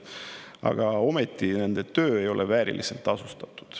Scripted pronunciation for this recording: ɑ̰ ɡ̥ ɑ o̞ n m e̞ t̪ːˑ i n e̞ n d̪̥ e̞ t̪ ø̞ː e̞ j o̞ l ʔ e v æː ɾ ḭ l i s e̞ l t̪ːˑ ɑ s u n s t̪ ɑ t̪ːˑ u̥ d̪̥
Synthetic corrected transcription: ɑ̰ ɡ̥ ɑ o̞ m e̞ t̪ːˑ i n e̞ n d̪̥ e̞ t̪ ø̞ː e̞ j o̞ l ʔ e v æː ɾ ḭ l i s e̞ l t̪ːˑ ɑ s u s t̪ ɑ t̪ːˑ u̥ d̪̥